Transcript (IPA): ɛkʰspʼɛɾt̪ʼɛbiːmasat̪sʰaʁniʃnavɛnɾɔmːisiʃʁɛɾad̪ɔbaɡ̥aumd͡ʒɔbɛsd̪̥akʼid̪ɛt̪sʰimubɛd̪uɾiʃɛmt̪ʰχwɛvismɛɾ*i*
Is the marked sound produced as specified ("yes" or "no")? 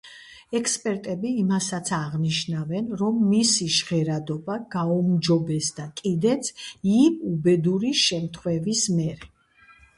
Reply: no